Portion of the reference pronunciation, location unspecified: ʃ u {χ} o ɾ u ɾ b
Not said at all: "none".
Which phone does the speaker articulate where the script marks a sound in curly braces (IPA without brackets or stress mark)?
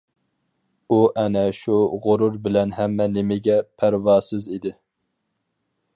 ʁ